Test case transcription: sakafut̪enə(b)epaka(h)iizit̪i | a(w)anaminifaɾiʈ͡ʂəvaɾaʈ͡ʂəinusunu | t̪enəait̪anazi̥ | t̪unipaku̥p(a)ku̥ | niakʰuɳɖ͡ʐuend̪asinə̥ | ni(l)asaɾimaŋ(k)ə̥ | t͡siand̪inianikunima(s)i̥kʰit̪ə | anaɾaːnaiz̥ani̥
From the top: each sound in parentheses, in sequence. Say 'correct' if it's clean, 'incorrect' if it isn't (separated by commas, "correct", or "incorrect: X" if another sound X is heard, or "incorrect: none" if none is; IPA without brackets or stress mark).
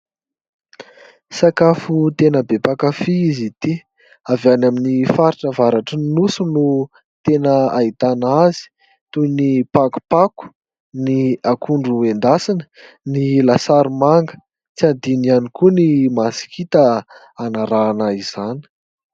correct, incorrect: f, incorrect: v, correct, correct, incorrect: ɡ, correct